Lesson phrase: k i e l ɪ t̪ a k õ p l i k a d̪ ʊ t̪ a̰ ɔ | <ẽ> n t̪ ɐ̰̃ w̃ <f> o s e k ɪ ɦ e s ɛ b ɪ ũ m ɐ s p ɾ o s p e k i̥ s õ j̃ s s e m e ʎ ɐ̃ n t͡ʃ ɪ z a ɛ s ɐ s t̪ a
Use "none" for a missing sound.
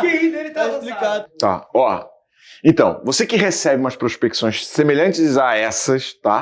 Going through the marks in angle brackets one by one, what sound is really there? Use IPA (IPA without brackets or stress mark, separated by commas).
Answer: ẽ, v